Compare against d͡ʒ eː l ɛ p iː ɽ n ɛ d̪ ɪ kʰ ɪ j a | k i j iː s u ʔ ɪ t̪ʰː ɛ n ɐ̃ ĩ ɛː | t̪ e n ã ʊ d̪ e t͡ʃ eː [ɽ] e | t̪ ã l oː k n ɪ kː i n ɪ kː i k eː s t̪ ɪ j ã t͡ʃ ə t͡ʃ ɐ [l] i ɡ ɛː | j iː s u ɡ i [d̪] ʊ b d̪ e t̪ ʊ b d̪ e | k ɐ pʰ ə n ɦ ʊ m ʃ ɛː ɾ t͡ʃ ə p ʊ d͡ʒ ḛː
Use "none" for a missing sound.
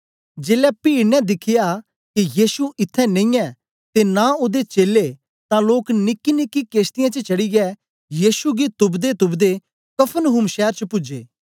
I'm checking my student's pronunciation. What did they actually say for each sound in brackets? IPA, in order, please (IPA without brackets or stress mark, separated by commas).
l, ɽ, t̪